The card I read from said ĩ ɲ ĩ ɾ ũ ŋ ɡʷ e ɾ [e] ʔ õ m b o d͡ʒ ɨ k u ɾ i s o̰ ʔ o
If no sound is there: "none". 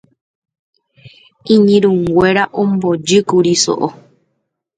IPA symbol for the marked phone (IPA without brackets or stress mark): a